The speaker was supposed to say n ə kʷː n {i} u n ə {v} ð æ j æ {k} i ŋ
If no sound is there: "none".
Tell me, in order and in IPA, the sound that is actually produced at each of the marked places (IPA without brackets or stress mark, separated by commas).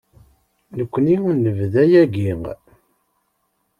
i, v, ɡ